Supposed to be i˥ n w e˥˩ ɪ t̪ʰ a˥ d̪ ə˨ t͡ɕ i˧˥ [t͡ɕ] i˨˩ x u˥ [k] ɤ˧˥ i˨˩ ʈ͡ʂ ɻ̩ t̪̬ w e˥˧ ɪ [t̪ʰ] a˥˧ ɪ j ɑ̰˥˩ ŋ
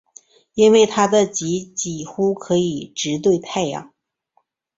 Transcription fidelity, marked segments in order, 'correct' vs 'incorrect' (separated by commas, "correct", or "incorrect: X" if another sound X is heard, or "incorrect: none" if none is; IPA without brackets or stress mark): correct, incorrect: kʰ, correct